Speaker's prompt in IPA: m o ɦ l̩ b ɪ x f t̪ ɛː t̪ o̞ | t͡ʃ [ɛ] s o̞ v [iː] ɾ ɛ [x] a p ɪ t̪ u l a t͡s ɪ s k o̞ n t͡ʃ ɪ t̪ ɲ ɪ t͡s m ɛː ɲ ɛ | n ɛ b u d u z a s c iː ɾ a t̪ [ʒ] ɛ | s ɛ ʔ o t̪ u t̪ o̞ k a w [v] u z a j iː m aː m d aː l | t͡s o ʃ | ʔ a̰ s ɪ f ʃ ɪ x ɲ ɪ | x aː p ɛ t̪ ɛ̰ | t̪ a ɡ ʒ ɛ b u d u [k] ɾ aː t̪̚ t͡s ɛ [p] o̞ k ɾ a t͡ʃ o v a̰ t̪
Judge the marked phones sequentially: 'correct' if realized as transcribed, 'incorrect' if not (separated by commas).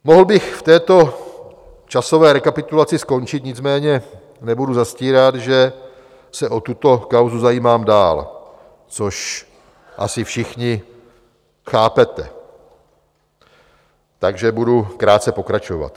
incorrect, incorrect, incorrect, correct, incorrect, correct, correct